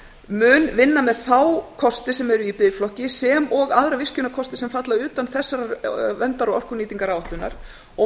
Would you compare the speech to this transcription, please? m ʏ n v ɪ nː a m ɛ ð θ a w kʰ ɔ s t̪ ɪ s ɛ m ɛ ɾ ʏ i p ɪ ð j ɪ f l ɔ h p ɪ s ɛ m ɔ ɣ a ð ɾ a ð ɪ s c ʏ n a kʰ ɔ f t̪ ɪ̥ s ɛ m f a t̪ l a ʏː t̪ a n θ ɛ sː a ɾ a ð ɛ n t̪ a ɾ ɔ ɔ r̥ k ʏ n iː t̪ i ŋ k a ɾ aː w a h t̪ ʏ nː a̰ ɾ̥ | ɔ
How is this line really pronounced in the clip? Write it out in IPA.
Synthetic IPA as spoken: m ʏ n v ɪ nː a m ɛ ð θ a w kʰ ɔ s t̪ ɪ s ɛ m ɛ ɾ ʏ i p ɪ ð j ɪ f l ɔ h c ɪ s ɛ m ɔ ɣ a ð ɾ a v ɪ s c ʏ n a kʰ ɔ s t̪ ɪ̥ s ɛ m f a t̪ l a ʏː t̪ a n θ ɛ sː a ɾ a v ɛ n t̪ a ɾ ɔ ɔ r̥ k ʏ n iː t̪ i ŋ k a ɾ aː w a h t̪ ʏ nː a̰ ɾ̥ | ɔ